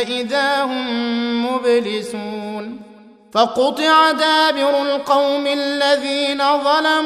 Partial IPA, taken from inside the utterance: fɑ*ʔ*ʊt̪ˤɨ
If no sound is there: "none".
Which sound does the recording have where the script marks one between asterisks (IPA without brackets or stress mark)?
q